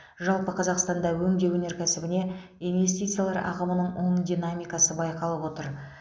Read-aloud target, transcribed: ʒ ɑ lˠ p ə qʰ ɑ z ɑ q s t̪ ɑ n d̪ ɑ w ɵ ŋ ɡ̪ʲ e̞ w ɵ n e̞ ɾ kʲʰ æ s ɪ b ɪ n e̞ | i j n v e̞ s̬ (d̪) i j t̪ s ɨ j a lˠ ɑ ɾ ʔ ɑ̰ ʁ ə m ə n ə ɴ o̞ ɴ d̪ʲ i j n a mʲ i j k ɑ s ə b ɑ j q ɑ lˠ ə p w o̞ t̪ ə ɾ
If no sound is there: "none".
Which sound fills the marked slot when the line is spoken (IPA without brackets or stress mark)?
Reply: t̪